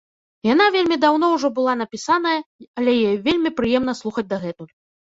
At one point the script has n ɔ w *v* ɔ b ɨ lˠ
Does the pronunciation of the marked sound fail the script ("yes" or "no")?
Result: yes